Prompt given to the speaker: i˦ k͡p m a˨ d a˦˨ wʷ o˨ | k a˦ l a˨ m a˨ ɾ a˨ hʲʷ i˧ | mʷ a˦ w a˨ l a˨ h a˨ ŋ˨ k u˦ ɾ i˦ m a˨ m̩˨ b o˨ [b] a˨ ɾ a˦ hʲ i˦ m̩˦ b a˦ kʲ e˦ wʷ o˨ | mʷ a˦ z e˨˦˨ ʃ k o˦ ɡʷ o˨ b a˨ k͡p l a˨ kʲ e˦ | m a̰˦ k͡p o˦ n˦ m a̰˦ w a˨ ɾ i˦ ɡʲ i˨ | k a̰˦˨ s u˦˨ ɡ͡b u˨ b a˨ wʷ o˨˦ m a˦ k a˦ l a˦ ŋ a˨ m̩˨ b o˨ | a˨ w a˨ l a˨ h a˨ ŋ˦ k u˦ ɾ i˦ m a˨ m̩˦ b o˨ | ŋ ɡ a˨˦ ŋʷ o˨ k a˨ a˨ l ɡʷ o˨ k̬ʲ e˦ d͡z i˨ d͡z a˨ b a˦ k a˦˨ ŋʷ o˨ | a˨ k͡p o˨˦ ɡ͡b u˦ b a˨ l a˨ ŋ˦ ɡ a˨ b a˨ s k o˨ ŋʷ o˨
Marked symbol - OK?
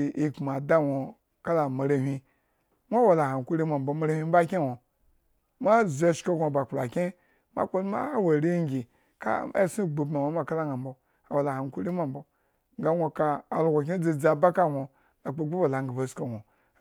no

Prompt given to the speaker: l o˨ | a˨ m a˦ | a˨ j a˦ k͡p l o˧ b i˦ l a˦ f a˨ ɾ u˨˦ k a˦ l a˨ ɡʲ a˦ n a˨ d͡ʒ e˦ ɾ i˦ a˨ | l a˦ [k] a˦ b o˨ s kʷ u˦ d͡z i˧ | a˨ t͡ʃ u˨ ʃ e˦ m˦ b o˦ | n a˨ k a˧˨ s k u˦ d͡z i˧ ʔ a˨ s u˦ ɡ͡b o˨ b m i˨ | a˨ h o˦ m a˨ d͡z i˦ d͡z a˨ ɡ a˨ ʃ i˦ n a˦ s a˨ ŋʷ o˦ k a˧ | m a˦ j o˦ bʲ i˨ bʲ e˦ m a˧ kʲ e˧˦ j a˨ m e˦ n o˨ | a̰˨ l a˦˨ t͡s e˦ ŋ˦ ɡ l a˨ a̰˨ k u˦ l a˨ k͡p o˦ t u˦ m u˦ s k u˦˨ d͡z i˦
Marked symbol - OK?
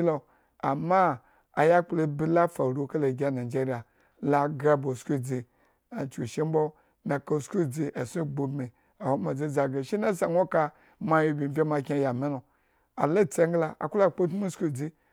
no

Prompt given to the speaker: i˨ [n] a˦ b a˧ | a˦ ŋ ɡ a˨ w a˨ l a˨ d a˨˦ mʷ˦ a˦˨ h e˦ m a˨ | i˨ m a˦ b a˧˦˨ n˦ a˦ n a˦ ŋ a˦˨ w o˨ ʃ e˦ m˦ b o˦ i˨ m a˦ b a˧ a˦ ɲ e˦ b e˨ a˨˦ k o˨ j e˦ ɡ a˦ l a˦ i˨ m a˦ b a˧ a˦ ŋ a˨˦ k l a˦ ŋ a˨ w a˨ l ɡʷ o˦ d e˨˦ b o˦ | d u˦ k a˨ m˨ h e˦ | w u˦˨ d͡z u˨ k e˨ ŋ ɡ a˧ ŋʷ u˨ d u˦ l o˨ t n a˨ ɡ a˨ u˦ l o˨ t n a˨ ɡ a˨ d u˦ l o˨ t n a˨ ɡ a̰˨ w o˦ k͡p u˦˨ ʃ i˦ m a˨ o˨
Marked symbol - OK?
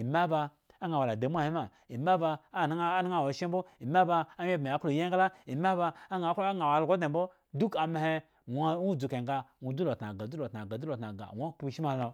no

